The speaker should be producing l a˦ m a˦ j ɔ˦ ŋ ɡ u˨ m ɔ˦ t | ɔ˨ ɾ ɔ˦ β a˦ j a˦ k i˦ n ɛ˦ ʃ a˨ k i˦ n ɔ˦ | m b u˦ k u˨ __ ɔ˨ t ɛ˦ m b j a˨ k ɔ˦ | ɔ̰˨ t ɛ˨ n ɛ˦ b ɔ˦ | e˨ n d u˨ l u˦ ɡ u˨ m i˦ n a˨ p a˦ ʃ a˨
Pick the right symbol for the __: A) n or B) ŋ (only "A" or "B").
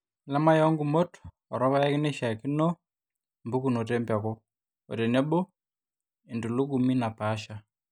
A